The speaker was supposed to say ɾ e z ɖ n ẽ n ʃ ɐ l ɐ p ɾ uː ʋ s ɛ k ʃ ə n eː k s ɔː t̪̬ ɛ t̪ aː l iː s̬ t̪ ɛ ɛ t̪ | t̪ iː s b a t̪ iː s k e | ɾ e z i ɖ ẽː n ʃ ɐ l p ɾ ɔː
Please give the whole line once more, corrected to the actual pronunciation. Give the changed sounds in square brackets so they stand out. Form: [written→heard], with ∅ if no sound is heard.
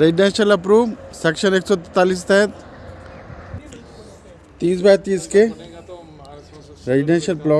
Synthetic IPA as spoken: ɾ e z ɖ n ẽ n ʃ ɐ l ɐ p ɾ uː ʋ s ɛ k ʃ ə n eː k s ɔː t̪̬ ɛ t̪ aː l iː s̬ t̪ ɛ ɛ t̪ | t̪ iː s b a t̪ iː s k e | ɾ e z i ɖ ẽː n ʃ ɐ l p [ɾ→l] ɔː